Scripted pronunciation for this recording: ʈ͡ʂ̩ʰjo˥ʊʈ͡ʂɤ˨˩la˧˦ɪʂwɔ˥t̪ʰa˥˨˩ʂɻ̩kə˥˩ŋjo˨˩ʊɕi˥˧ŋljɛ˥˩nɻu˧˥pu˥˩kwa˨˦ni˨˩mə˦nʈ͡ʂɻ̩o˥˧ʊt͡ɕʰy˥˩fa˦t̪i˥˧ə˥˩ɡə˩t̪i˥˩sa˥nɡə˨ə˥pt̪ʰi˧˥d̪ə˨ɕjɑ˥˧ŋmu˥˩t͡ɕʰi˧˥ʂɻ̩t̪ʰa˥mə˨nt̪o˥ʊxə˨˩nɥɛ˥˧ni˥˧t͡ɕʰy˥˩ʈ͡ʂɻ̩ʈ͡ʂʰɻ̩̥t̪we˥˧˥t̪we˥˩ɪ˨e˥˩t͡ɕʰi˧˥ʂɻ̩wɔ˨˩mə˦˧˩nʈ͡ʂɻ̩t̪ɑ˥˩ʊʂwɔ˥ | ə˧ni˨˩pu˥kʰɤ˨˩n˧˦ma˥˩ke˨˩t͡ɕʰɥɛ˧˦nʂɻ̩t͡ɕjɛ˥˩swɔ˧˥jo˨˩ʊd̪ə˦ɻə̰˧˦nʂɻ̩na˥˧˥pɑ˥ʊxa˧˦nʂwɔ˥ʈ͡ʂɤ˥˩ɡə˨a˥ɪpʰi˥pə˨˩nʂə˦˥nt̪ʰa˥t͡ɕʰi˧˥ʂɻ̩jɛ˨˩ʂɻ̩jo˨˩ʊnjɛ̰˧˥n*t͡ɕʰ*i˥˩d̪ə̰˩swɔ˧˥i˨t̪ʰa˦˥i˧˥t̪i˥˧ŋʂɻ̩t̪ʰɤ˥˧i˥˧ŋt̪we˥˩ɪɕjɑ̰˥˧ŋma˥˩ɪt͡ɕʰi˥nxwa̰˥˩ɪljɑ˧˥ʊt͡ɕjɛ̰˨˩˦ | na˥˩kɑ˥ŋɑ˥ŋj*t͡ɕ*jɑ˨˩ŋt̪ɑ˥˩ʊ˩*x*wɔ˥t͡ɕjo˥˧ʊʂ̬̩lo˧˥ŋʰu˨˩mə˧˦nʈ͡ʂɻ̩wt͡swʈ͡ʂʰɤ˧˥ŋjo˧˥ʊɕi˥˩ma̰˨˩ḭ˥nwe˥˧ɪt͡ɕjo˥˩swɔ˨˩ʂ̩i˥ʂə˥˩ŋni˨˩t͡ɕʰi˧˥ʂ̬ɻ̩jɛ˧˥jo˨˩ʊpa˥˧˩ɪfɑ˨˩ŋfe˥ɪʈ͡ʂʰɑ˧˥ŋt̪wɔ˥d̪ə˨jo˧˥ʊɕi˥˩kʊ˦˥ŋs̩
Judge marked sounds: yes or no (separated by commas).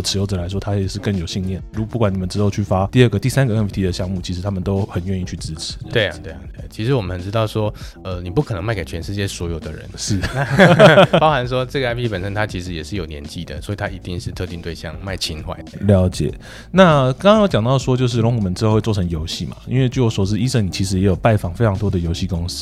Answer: no, yes, no